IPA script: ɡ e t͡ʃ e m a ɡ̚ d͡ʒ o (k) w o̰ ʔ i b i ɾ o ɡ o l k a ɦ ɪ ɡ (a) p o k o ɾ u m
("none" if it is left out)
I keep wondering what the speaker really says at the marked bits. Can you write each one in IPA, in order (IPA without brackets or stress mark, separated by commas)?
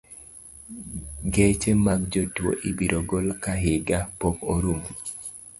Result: t, a